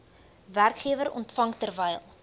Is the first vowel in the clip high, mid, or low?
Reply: low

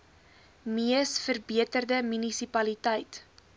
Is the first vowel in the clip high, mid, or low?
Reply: high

